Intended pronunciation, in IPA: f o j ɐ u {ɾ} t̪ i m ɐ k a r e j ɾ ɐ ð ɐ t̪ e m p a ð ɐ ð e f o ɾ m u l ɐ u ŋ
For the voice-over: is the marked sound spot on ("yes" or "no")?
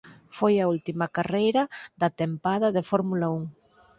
no